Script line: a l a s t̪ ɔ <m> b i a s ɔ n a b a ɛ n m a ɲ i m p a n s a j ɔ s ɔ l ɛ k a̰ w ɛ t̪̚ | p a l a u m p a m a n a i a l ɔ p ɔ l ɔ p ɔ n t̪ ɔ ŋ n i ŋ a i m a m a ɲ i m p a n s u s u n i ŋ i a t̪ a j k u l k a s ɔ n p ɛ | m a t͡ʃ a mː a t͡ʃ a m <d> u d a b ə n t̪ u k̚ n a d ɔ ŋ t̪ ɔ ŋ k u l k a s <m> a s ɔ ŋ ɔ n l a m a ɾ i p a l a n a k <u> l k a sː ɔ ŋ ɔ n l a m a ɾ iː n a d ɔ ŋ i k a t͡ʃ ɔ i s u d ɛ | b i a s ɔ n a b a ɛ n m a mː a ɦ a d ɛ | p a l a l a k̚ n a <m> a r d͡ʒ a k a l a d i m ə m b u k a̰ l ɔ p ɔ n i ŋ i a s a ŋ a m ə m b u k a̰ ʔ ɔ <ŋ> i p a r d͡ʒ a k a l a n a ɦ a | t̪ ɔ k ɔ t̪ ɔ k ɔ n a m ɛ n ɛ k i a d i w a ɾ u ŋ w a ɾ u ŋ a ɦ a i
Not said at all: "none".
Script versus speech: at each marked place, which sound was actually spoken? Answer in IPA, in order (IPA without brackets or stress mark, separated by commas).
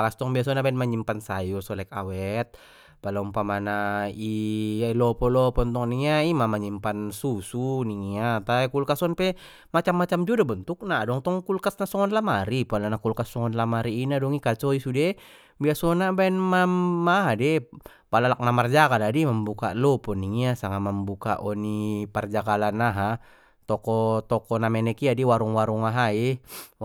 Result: ŋ, d͡ʒ, n, u, m, n